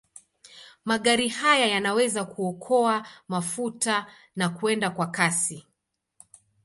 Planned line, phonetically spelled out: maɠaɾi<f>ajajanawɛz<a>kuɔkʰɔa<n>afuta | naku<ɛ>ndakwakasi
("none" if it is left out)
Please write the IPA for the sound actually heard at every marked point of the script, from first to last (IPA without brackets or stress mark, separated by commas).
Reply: h, a, m, ɛ